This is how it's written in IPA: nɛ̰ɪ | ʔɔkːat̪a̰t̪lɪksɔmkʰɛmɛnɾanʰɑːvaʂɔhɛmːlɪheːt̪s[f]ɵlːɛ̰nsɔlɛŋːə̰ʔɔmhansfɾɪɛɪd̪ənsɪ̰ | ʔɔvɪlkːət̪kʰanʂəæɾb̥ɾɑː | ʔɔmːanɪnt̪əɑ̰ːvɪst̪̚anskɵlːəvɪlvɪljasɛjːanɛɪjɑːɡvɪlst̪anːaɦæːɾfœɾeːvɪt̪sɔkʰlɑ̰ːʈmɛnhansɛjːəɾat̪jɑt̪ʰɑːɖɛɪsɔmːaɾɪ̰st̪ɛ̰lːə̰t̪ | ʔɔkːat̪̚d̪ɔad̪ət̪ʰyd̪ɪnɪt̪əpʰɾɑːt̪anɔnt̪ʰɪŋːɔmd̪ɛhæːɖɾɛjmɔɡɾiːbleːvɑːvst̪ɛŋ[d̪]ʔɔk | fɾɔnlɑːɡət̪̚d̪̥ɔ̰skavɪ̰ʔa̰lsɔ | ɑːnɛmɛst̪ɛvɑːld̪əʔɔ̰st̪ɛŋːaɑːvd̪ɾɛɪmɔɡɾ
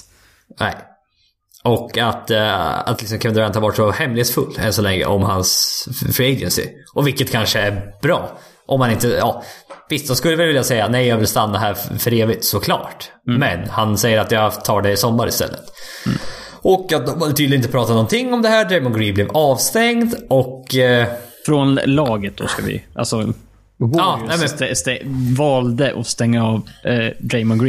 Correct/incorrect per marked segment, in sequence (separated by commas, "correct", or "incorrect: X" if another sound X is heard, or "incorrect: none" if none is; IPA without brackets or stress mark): correct, correct